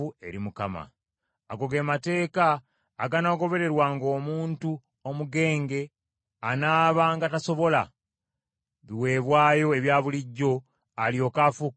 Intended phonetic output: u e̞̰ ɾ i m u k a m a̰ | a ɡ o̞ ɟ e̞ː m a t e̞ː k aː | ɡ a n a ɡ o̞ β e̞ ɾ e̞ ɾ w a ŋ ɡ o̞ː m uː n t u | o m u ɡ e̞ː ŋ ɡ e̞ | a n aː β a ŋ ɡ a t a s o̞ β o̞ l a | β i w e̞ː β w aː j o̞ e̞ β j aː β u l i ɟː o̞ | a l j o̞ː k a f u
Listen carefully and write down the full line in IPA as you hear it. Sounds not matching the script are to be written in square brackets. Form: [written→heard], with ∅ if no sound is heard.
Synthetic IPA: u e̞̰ ɾ i m u k a m a̰ | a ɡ o̞ [ɟ→ɡ] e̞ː m a t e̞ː k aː | ɡ a n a ɡ o̞ β e̞ ɾ e̞ ɾ w a ŋ ɡ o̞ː m uː n t u | o m u ɡ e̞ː ŋ ɡ e̞ | a n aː β a ŋ ɡ a t a s o̞ β o̞ l a | β i w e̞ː β w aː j o̞ e̞ β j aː β u l i ɟː o̞ | a l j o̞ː k a f u